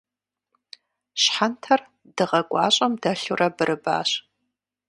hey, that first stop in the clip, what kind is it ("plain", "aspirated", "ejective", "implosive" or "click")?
aspirated